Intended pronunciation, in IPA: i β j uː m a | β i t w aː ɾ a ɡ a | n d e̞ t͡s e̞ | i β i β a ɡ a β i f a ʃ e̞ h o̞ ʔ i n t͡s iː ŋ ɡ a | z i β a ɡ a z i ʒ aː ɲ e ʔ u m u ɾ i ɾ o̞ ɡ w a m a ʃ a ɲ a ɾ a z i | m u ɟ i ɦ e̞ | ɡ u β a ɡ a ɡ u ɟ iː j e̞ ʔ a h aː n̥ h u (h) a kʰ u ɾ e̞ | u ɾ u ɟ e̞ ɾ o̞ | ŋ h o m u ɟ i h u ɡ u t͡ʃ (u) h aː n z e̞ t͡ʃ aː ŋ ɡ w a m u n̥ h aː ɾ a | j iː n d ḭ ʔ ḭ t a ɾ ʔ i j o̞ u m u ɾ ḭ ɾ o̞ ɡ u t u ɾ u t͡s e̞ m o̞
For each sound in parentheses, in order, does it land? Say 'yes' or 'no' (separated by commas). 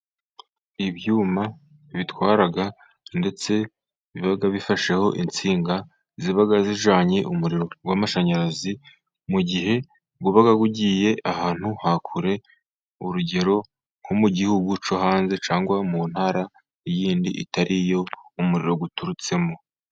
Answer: yes, no